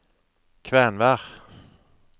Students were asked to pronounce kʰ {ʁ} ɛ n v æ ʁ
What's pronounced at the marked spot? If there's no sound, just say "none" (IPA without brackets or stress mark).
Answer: v